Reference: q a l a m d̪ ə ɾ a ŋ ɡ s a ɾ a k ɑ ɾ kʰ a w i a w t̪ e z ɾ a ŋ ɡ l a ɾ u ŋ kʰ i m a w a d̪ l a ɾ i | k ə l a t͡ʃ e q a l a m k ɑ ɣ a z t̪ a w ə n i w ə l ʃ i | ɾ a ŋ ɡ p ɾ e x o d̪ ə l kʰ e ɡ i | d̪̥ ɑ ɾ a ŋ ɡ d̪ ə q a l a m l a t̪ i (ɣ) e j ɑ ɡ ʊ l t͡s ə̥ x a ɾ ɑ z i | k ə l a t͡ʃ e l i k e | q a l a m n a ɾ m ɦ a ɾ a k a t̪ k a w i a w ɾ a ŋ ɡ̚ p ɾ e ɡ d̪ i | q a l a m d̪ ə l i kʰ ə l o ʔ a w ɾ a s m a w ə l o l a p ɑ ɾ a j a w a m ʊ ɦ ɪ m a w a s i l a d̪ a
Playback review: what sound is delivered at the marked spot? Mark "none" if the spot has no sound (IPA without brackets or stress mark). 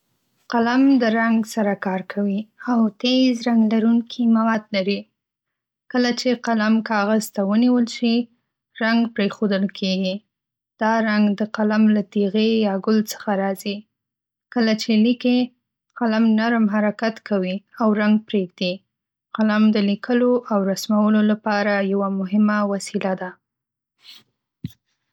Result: ɣ